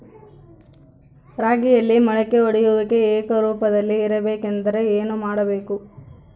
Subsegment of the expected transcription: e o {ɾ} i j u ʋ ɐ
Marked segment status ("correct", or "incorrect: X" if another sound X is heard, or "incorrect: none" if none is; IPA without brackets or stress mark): incorrect: ɽ